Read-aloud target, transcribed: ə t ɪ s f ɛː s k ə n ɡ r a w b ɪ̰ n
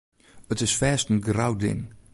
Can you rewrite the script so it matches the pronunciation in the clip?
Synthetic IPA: ə t ɪ s f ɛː s t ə n ɡ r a w d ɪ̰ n